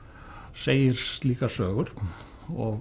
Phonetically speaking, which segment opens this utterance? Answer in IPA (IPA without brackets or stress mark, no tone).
s